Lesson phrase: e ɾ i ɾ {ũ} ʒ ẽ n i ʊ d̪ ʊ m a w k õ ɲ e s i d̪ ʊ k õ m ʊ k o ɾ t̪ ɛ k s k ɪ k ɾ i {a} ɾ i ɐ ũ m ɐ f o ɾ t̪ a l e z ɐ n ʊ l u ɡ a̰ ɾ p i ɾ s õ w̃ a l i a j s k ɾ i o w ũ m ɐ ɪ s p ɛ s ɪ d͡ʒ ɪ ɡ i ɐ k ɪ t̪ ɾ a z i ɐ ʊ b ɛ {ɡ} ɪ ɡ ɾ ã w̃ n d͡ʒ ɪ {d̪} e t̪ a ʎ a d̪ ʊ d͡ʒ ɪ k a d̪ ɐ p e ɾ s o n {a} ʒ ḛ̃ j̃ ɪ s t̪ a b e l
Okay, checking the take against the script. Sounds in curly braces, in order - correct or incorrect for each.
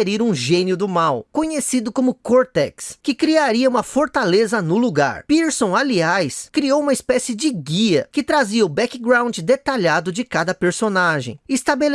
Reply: correct, correct, incorrect: k, correct, correct

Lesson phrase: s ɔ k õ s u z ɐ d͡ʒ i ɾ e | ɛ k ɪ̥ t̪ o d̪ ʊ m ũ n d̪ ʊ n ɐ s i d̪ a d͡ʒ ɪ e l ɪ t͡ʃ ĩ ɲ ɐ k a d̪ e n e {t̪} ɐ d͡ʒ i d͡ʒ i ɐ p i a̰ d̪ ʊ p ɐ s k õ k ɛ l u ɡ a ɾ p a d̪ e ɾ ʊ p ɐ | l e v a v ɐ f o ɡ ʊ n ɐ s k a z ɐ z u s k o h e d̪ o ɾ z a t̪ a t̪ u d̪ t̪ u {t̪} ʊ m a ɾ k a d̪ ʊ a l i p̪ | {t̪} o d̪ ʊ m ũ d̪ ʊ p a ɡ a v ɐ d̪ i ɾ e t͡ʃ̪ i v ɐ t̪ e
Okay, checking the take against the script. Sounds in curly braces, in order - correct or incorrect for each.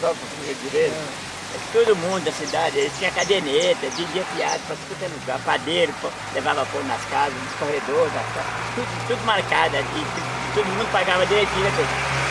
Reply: correct, incorrect: d̪, correct

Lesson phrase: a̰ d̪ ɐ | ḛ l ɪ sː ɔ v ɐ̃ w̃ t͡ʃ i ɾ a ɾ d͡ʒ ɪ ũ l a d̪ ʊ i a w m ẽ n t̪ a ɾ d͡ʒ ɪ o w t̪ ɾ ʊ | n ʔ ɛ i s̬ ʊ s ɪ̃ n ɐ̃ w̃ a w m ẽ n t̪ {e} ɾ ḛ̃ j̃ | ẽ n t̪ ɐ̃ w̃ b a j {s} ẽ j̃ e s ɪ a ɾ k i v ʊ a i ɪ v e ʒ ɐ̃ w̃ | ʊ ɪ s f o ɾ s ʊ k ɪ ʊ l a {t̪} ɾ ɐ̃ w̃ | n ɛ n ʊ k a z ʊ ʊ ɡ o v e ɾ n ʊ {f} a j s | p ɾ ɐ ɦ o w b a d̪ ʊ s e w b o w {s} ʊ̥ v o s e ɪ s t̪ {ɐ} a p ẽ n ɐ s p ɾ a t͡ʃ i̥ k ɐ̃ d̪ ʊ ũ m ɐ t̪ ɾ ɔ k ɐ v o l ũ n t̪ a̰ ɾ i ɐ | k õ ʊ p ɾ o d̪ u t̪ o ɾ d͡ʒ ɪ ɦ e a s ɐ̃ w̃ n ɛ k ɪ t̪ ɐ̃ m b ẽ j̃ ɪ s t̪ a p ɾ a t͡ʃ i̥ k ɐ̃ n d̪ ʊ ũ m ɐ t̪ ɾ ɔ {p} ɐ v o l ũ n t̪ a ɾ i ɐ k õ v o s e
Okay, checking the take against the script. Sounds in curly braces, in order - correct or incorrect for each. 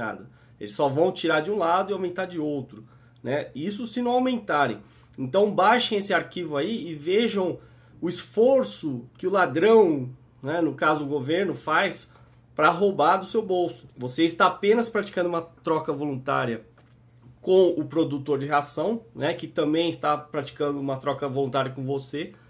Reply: incorrect: a, incorrect: ʃ, incorrect: d̪, correct, correct, incorrect: a, incorrect: k

